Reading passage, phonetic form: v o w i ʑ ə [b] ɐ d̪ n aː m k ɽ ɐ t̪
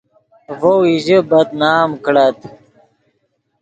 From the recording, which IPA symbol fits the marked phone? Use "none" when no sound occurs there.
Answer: b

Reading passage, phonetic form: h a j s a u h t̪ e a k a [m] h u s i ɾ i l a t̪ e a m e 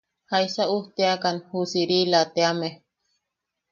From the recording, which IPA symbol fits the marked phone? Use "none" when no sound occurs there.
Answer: n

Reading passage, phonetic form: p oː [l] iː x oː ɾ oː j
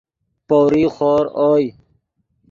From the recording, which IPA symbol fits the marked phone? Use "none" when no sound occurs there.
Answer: ɾ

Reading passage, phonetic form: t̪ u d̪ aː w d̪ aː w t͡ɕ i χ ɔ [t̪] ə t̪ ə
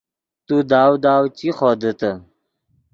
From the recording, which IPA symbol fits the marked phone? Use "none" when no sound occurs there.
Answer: d̪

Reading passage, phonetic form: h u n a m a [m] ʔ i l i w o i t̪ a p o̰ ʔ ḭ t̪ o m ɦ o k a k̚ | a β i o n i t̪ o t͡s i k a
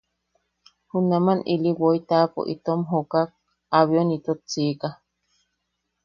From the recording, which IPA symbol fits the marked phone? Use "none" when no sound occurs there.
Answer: n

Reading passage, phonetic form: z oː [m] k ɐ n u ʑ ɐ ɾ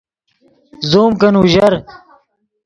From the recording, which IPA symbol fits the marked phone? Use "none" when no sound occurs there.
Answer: m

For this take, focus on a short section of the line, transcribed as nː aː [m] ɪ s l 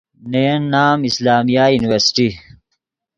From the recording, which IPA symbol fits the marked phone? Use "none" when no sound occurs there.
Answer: m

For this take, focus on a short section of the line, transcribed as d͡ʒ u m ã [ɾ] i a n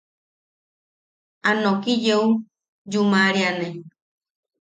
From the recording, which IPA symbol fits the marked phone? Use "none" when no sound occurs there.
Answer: ɾ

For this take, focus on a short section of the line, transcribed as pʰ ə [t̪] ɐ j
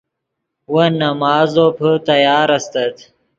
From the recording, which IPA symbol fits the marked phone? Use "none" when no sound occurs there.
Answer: t̪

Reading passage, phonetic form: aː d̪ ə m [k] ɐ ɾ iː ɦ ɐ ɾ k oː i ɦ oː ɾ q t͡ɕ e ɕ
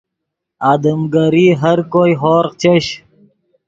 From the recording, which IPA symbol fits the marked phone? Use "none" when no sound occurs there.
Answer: ɡ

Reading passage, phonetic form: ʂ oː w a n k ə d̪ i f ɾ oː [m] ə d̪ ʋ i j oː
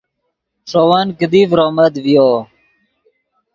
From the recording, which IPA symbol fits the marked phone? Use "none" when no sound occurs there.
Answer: m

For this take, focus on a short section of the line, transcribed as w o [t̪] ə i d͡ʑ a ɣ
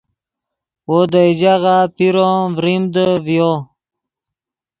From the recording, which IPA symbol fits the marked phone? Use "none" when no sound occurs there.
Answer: d̪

